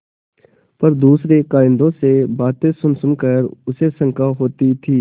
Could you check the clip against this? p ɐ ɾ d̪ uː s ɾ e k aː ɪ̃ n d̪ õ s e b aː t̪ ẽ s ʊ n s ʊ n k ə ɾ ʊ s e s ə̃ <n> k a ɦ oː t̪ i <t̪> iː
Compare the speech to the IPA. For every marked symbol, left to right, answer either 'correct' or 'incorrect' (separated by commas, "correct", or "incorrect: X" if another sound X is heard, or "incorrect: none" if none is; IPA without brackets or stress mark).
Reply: incorrect: ŋ, incorrect: t̪ʰ